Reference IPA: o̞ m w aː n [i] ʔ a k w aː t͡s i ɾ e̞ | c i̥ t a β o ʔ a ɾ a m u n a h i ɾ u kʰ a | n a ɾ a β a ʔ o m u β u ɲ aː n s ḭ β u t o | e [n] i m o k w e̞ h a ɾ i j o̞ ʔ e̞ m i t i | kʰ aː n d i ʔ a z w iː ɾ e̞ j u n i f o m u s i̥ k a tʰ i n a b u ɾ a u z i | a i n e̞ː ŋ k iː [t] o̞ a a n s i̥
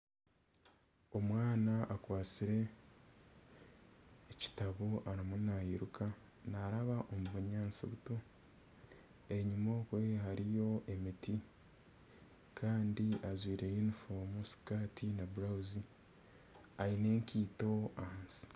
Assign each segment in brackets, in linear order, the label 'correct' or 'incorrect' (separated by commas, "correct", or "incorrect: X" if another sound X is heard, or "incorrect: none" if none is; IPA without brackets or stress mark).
incorrect: a, incorrect: ɲ, correct